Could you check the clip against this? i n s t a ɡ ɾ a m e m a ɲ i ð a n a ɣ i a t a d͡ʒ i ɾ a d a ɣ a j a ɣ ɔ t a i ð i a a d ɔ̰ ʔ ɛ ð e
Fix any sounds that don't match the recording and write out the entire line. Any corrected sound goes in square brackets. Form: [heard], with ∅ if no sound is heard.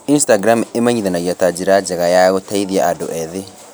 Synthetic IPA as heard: i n s t a ɡ ɾ a m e m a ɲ i ð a n a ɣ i a t a d͡ʒ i ɾ a [d͡ʒ] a ɣ a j a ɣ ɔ t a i ð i a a d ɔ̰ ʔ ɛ ð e

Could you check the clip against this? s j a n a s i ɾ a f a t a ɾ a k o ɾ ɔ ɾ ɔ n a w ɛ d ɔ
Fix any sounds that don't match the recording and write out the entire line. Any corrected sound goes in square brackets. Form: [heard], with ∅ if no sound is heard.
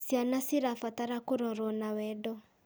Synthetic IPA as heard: s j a n a s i ɾ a f a t a ɾ a k o ɾ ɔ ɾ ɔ n a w ɛ d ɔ

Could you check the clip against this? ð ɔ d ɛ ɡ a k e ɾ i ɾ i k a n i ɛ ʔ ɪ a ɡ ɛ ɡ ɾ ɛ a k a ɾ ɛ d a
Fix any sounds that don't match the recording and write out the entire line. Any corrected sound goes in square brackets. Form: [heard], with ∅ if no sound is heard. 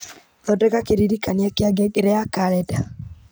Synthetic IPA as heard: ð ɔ d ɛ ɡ a k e ɾ i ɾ i k a n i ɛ [k] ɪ a ɡ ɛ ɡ ɾ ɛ a k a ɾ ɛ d a

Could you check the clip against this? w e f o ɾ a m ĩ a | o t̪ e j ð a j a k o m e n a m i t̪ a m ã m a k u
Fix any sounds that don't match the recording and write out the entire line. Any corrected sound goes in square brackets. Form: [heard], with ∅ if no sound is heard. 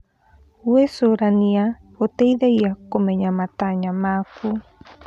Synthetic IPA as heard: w e [s] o ɾ a [n] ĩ a | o t̪ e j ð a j a k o m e [ɲ] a m [a] t̪ a [ɲ] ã m a k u

